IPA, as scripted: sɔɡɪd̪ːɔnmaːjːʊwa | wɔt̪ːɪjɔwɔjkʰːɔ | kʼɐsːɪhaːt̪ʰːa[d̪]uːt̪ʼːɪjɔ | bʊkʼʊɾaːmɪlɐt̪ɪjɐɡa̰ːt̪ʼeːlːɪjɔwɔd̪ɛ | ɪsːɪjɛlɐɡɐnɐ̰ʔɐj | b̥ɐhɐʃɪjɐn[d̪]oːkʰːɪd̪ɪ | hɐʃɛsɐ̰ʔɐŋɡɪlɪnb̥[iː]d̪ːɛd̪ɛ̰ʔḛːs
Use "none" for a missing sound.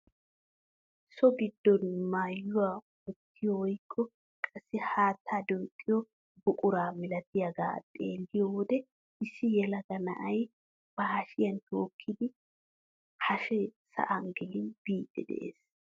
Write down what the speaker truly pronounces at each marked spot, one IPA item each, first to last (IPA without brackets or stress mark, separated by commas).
d̪, t̪, iː